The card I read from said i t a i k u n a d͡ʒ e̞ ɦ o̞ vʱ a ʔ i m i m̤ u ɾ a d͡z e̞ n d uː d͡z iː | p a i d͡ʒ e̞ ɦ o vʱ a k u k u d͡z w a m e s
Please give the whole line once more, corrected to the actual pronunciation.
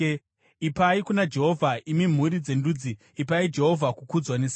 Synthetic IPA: i p a i k u n a d͡ʒ e̞ ɦ o̞ vʱ a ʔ i m i m̤ u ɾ i d͡z e̞ n d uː d͡z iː | p a i d͡ʒ e̞ ɦ o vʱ a k u k u d͡z w a n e s